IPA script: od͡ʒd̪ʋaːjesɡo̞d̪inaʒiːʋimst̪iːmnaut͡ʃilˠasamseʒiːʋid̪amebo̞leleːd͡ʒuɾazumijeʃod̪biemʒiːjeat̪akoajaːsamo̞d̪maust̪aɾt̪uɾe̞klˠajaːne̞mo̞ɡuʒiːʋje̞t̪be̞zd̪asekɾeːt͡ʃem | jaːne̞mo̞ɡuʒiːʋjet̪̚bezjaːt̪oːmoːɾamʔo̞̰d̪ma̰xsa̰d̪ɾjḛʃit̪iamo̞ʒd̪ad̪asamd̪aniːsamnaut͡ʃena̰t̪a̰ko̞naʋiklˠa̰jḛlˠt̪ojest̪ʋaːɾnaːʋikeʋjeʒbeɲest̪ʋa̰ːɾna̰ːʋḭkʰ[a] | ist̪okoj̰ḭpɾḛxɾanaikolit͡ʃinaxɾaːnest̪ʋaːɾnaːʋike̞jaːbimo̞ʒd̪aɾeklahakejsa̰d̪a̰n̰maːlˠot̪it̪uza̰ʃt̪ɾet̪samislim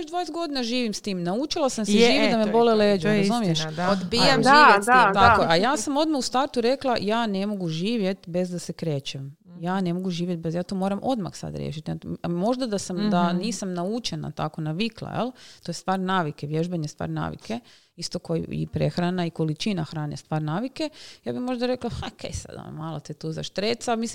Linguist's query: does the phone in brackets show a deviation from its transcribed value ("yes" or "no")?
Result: yes